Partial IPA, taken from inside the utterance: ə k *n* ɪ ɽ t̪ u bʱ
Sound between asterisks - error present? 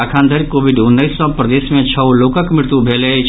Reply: yes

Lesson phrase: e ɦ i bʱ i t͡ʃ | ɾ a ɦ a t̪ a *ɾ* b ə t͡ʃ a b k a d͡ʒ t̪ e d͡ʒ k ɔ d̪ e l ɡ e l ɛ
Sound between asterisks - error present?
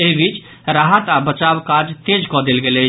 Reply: yes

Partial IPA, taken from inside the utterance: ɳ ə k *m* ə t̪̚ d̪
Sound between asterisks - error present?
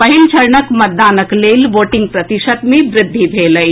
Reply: no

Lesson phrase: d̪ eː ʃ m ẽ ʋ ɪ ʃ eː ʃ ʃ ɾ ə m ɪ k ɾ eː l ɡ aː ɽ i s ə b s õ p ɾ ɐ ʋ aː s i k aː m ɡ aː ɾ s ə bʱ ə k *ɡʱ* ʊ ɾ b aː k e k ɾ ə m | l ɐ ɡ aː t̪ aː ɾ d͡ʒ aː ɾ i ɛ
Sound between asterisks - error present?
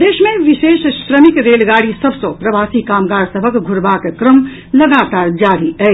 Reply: no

